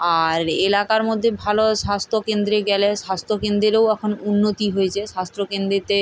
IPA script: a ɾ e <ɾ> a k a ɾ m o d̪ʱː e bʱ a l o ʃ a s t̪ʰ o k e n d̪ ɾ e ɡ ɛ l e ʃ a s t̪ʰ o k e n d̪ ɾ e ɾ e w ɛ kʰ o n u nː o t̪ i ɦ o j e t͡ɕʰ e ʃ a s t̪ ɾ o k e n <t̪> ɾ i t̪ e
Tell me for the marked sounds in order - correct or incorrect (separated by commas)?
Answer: incorrect, incorrect